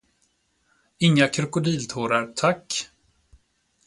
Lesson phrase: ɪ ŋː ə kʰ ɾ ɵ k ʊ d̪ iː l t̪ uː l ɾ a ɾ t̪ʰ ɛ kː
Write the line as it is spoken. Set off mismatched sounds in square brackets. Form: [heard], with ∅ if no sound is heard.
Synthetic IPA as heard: ɪ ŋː [a] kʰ ɾ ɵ k ʊ d̪ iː l [t̪ʰ] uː [∅] ɾ a ɾ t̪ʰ [a] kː